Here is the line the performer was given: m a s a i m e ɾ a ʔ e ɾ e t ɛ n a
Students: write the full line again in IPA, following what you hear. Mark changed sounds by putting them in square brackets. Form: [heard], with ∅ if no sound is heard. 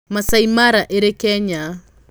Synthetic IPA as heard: m a s a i m [a] ɾ a ʔ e ɾ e [k] ɛ [ɲ] a